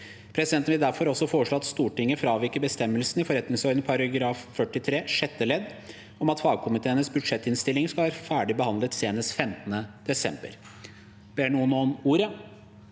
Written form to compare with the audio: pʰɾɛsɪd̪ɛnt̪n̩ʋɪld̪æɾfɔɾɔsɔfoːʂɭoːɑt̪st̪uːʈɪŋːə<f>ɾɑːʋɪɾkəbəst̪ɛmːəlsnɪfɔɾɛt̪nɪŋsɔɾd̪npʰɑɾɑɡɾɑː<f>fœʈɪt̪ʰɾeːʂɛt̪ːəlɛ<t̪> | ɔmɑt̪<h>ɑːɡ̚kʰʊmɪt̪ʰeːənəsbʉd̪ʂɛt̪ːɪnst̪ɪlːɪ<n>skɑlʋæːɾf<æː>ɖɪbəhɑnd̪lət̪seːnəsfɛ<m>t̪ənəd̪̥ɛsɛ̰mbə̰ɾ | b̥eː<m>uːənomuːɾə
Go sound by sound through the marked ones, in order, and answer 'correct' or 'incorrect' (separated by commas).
correct, correct, incorrect, incorrect, incorrect, correct, correct, incorrect